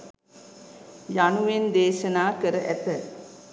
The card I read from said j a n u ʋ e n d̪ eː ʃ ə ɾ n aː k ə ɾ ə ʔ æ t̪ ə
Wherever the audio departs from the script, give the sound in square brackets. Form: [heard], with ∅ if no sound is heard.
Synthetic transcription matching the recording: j a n u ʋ e n d̪ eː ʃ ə [∅] n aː k ə ɾ ə ʔ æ t̪ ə